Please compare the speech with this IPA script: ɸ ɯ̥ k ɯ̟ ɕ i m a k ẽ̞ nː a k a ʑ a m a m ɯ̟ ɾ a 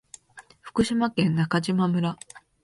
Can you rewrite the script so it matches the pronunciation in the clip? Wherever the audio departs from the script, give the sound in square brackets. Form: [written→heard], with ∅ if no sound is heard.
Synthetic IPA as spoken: ɸ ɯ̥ k ɯ̟ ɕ i m a k ẽ̞ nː a k a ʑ [a→i] m a m ɯ̟ ɾ a